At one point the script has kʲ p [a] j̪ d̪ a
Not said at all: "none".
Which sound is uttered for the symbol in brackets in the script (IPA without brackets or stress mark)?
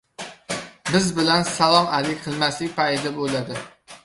a